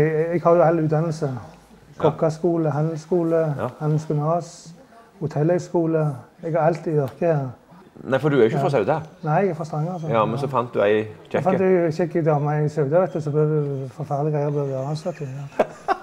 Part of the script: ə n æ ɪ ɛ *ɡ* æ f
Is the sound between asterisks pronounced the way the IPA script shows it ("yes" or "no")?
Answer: yes